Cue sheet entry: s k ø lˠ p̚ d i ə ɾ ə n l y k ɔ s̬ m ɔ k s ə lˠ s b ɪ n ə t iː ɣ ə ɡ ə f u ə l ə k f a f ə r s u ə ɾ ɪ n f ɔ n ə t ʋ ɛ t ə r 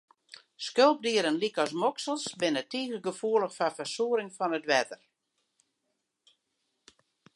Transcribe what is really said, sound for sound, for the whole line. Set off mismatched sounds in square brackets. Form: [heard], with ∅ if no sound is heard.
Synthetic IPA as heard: s k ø lˠ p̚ d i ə ɾ ə n l [i] k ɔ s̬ m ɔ k s ə lˠ s b ɪ n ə t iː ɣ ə ɡ ə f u ə l ə [x] f a f ə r s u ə ɾ ɪ [ŋ] f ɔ n ə t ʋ ɛ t ə r